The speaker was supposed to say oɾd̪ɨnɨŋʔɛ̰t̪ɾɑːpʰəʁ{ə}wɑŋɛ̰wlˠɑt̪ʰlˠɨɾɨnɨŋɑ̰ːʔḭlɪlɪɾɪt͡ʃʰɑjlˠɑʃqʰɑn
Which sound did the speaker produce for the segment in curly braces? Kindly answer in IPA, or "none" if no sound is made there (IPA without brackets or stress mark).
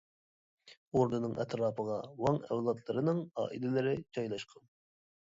ɑ